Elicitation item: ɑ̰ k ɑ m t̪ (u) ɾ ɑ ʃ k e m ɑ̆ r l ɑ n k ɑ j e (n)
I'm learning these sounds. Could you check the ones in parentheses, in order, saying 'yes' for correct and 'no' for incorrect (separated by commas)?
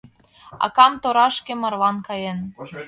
no, yes